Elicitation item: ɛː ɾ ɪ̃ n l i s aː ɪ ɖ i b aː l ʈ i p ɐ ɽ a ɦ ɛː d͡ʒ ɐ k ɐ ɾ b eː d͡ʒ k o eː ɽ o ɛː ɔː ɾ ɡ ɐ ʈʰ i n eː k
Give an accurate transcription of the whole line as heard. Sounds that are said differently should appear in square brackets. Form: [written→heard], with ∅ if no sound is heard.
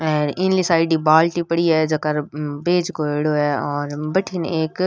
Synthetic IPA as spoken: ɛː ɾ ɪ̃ n l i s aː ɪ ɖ i b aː l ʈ i p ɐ ɽ [a→i] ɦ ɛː d͡ʒ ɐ k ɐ ɾ b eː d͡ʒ k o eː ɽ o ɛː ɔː ɾ [ɡ→b] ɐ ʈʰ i n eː k